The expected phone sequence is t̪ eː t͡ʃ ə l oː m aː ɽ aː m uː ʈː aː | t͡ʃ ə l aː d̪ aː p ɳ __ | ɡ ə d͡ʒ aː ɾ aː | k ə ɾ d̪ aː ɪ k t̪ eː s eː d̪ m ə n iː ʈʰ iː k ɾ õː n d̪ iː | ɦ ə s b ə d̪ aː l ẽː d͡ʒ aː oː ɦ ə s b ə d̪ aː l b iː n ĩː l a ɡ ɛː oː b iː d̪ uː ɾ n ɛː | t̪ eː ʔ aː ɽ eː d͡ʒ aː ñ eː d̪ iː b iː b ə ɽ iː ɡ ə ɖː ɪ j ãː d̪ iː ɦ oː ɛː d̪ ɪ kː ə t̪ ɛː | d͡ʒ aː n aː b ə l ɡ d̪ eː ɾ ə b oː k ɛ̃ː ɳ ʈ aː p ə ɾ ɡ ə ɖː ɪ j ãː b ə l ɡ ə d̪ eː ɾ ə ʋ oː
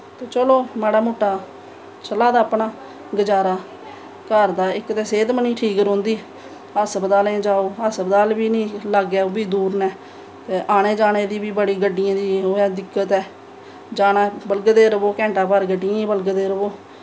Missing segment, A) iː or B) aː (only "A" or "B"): B